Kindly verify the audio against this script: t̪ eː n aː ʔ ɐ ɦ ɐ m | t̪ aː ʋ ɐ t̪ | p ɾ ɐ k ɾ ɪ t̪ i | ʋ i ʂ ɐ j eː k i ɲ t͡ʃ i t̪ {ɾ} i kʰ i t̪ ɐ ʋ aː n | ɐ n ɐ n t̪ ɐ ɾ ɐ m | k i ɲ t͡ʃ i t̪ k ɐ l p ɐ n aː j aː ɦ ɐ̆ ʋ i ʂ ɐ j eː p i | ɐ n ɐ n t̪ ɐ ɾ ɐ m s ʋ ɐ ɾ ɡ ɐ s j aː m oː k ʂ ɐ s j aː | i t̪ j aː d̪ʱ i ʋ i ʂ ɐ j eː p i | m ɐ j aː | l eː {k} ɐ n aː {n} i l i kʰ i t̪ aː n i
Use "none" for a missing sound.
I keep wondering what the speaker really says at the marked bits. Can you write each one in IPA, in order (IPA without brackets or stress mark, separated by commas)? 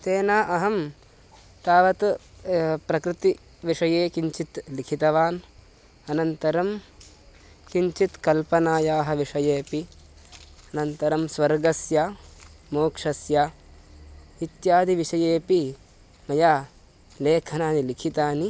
l, kʰ, n